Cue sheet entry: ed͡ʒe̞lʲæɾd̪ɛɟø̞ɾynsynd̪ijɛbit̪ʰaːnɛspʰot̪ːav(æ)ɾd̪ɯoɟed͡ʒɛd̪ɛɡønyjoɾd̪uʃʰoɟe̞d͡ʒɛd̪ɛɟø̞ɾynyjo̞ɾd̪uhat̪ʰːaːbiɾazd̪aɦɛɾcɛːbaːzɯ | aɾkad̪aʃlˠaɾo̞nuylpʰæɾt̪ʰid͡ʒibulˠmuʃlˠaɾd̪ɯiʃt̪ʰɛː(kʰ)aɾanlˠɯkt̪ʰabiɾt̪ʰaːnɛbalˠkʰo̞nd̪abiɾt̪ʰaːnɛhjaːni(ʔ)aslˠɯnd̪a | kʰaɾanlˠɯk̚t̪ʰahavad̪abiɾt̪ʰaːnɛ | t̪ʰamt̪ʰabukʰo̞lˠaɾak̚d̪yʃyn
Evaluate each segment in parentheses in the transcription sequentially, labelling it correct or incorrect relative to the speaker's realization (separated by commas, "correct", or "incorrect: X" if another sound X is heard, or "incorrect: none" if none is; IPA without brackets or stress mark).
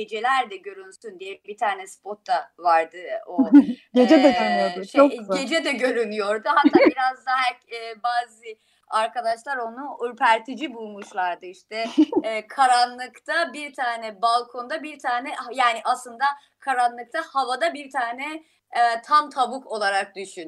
incorrect: a, correct, correct